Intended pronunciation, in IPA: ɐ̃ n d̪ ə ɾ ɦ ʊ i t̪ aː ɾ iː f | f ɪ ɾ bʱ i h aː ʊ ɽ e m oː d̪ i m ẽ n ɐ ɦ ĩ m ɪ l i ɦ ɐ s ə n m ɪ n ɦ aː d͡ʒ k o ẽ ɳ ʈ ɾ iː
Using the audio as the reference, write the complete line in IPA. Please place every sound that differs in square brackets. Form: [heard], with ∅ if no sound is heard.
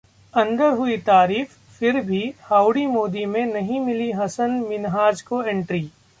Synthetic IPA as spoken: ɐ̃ n d̪ ə ɾ ɦ ʊ i t̪ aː ɾ iː f | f ɪ ɾ bʱ i h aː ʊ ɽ [i] m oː d̪ i m ẽ n ɐ ɦ ĩ m ɪ l i ɦ ɐ s ə n m ɪ n ɦ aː d͡ʒ k o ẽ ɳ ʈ ɾ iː